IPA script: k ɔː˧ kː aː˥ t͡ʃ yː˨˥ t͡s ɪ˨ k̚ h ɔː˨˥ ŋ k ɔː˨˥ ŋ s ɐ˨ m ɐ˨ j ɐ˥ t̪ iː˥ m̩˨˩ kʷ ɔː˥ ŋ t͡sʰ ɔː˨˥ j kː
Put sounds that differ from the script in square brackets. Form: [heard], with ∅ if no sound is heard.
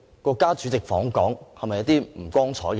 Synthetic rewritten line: k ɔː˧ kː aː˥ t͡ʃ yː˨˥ t͡s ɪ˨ k̚ [f] ɔː˨˥ ŋ k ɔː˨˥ ŋ [h] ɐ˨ m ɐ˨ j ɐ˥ t̪ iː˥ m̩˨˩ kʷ ɔː˥ ŋ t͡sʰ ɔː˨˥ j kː